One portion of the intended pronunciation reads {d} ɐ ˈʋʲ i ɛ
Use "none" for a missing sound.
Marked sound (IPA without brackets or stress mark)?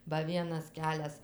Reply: b